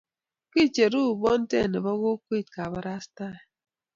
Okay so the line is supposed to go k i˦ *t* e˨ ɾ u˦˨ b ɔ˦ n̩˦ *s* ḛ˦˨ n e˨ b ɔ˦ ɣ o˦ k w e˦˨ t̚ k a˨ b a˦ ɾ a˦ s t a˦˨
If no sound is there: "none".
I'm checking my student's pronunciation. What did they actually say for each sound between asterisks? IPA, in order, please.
t͡ʃ, t

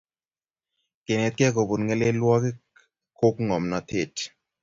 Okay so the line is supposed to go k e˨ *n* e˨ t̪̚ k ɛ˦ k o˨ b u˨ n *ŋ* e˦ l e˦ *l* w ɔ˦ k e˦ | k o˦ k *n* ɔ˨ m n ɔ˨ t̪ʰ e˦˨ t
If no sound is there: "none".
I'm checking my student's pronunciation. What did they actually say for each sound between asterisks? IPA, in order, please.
n, ŋ, l, ŋ

